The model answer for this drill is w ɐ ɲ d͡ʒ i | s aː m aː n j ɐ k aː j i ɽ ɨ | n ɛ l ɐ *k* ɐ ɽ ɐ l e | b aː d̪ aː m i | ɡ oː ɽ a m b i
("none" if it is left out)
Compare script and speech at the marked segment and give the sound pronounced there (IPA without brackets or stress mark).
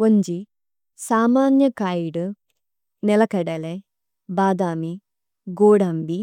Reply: k